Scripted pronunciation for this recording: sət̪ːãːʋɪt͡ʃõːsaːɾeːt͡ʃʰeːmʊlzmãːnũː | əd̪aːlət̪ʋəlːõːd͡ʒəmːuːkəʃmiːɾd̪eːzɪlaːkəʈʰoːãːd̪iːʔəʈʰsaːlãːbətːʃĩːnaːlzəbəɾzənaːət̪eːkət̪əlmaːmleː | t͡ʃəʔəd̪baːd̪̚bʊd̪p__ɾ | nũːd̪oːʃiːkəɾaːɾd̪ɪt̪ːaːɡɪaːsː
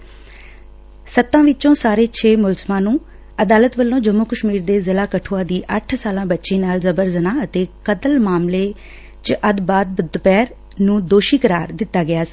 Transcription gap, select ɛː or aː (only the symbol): ɛː